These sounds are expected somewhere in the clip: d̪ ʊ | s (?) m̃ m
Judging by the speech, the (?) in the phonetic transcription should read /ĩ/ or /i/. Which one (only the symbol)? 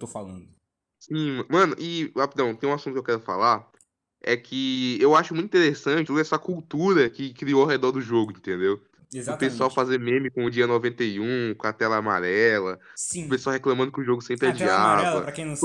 ĩ